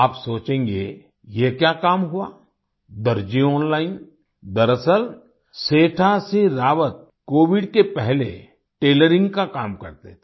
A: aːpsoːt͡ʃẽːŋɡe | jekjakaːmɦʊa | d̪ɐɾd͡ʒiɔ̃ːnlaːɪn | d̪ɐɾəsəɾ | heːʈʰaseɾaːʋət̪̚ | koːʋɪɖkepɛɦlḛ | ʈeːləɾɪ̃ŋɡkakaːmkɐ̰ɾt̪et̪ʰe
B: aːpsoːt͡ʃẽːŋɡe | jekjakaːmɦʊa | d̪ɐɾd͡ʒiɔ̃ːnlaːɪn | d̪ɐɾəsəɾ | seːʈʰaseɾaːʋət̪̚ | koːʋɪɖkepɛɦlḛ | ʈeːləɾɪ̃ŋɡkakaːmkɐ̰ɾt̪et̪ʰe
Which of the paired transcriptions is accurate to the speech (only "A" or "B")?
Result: B